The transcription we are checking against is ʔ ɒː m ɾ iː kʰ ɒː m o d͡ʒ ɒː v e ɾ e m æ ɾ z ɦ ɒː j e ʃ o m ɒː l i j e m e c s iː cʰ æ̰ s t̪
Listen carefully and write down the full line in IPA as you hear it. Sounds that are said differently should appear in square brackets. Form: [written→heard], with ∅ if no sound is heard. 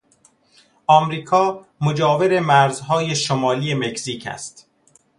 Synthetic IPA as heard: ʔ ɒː m ɾ iː kʰ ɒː m o d͡ʒ ɒː v e ɾ e m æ ɾ z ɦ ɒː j e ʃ o m ɒː l i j e m e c s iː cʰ æ̰ s t̪